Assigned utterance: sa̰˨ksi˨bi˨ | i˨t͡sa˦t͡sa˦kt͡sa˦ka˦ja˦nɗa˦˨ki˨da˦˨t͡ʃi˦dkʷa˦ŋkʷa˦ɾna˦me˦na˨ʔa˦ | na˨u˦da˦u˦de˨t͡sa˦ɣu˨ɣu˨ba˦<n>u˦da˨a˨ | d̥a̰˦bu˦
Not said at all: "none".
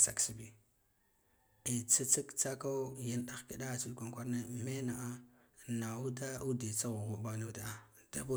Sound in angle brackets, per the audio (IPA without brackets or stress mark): n